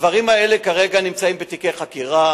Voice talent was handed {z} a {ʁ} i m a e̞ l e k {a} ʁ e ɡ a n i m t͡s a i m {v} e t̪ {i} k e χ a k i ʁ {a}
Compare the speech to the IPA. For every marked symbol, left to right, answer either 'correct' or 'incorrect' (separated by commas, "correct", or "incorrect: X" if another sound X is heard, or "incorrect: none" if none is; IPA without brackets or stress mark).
incorrect: v, correct, correct, incorrect: b, correct, correct